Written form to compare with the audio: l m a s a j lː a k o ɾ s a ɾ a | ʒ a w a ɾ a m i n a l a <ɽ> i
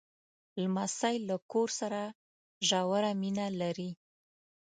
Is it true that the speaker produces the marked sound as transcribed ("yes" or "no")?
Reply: no